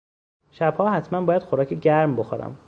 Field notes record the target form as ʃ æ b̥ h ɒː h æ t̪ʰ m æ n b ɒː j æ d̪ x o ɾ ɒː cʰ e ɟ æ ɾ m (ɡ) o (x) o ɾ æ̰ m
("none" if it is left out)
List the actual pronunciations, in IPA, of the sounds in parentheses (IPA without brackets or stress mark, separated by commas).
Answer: b, x